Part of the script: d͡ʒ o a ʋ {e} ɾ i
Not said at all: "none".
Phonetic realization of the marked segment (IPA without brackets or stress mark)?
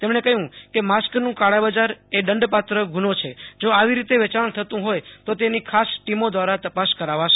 i